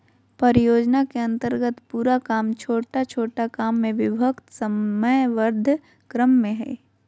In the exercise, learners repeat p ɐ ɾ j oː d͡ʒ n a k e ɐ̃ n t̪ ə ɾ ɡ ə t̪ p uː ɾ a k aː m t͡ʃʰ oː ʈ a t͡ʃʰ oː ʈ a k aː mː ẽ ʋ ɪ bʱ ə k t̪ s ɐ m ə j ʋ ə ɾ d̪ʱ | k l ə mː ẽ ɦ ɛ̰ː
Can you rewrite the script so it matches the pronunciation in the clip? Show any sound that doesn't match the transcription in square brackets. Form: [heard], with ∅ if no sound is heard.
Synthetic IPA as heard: p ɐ ɾ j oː d͡ʒ n a k e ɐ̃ n t̪ ə ɾ ɡ ə t̪ p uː ɾ a k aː m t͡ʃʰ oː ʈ a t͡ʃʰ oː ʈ a k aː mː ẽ ʋ ɪ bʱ ə k t̪ s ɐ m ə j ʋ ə ɾ d̪ʱ | k [ɾ] ə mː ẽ ɦ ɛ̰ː